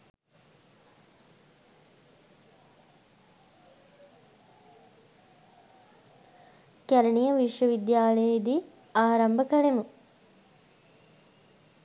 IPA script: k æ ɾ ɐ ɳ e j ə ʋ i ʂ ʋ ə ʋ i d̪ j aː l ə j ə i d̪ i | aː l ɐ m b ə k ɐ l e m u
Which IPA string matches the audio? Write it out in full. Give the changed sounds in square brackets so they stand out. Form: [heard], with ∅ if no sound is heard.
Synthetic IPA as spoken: k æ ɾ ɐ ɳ [i] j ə ʋ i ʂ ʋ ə ʋ i d̪ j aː l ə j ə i d̪ i | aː [ɾ] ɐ m b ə k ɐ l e m u